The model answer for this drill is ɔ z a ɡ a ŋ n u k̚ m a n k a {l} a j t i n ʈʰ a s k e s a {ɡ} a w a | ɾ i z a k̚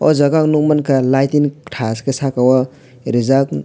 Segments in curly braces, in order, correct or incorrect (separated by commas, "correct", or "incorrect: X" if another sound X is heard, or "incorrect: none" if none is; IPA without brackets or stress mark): correct, incorrect: k